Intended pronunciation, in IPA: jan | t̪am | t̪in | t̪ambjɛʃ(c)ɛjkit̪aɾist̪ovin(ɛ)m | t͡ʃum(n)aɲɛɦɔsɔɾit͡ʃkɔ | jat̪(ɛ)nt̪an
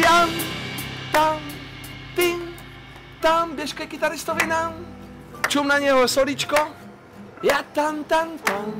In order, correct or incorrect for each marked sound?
incorrect, incorrect, correct, incorrect

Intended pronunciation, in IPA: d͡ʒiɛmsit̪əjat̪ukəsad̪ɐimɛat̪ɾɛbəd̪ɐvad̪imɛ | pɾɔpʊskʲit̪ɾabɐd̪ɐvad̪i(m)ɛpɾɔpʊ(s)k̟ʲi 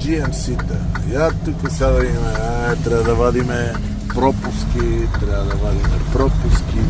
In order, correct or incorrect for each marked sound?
correct, correct

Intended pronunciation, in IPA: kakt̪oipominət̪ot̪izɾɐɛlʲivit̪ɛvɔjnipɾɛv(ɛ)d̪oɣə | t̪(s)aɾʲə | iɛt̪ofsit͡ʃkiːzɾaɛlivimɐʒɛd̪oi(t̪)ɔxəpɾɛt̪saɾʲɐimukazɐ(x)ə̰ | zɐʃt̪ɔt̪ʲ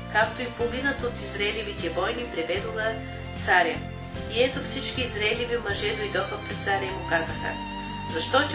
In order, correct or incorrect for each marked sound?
correct, correct, incorrect, correct

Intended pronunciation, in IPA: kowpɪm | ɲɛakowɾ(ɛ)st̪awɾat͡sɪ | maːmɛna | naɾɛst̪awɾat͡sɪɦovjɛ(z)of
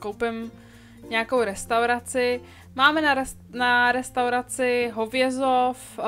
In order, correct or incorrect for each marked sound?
correct, correct

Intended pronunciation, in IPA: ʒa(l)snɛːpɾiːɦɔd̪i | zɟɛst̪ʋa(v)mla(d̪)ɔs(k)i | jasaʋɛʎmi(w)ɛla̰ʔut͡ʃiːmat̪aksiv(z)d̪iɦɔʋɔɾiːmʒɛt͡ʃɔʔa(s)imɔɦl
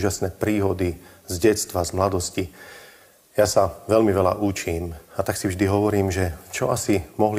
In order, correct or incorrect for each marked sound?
incorrect, incorrect, correct, incorrect, incorrect, incorrect, correct

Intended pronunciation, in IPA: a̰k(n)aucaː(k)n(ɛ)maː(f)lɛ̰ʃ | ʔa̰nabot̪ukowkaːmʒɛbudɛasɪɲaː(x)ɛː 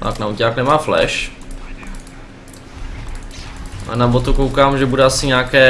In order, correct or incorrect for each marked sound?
correct, correct, correct, correct, incorrect

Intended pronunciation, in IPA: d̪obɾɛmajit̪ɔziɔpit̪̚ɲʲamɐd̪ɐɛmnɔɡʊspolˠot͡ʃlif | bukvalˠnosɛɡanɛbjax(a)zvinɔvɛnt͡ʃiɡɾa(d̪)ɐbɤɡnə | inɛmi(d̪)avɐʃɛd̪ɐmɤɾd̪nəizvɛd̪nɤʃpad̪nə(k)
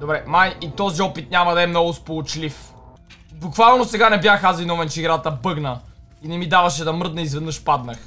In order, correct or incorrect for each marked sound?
correct, incorrect, correct, incorrect

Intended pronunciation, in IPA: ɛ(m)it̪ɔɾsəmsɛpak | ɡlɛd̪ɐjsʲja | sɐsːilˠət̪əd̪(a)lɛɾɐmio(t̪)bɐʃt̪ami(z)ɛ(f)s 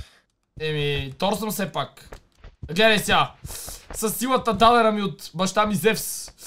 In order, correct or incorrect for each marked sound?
correct, correct, correct, correct, correct

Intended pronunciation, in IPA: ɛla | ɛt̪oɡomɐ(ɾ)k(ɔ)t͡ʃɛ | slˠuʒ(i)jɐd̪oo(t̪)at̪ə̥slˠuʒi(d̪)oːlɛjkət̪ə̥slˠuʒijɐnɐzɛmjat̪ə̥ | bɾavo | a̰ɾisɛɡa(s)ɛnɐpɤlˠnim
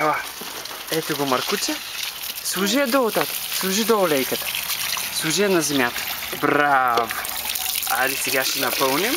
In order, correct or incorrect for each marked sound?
correct, incorrect, correct, correct, correct, incorrect

